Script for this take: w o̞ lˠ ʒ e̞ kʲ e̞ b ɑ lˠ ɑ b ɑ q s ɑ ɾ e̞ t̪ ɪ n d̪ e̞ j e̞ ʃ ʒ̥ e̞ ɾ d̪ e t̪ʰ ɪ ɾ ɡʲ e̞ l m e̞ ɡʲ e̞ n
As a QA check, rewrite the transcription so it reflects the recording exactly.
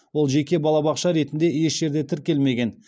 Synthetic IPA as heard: w o̞ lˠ ʒ e̞ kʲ e̞ b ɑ lˠ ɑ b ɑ q ʃ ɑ ɾ e̞ t̪ ɪ n d̪ e̞ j e̞ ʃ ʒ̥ e̞ ɾ d̪ e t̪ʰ ɪ ɾ kʲ e̞ l m e̞ ɡʲ e̞ n